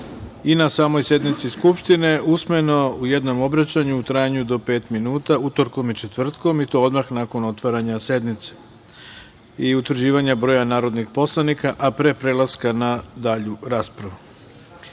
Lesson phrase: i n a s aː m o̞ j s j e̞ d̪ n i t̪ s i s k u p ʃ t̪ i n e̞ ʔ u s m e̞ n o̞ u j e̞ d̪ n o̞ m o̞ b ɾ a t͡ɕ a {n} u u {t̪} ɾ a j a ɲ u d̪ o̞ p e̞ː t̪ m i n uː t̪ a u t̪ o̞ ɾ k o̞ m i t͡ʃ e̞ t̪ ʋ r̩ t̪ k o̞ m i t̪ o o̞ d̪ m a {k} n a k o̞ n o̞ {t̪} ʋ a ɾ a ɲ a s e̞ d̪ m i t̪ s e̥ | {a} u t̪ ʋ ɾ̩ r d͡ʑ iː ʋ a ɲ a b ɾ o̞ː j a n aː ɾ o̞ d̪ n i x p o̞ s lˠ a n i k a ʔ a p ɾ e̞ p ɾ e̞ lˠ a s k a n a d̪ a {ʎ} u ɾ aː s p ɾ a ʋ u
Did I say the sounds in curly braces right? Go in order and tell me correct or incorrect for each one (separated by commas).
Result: incorrect, correct, incorrect, correct, incorrect, correct